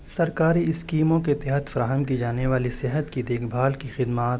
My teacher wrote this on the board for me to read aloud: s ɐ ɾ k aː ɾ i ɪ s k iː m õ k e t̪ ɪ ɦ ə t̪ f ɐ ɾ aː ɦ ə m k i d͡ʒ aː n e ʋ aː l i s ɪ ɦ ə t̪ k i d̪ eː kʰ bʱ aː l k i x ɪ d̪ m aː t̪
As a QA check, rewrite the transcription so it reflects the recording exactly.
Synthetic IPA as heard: s ɐ ɾ k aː ɾ i ɪ s k iː m õ k e t̪ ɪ ɦ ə t̪ f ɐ ɾ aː ɦ ə m k i d͡ʒ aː n e ʋ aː l i s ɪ ɦ ə t̪ k i d̪ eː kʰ bʱ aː l k i x ɪ d̪ m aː t̪